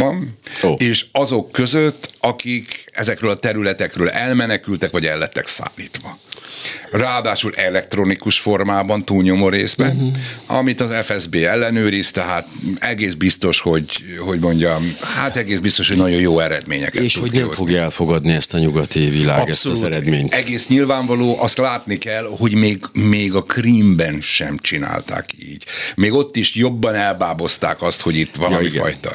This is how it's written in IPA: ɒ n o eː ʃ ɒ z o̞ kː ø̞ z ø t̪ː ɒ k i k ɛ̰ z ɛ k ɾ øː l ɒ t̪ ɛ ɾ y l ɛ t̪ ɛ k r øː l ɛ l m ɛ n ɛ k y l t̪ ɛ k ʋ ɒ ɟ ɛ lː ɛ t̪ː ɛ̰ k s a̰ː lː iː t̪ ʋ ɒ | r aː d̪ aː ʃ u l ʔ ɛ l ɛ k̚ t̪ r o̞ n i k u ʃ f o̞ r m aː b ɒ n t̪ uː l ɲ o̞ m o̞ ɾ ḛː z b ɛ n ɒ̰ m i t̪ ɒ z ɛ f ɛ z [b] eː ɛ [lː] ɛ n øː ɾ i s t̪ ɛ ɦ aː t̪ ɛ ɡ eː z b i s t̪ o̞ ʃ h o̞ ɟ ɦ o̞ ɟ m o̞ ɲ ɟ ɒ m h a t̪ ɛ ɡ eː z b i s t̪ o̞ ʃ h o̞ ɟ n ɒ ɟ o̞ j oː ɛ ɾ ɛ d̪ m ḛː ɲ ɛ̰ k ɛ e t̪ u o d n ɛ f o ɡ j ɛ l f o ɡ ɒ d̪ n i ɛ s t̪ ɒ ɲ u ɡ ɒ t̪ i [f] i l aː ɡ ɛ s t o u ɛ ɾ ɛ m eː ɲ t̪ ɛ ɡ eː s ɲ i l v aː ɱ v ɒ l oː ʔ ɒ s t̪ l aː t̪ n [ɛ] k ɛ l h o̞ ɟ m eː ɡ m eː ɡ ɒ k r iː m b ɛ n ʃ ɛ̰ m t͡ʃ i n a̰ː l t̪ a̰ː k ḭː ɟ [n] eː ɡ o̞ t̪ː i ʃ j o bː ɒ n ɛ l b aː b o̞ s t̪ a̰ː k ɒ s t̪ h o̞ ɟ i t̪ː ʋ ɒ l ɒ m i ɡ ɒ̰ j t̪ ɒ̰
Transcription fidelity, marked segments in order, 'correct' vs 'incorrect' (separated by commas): correct, correct, incorrect, incorrect, incorrect